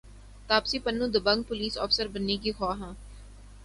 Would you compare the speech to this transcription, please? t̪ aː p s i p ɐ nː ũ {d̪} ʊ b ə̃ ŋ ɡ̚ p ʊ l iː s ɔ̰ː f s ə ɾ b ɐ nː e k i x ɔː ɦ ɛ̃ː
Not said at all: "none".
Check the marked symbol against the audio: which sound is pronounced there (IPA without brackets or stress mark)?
d̪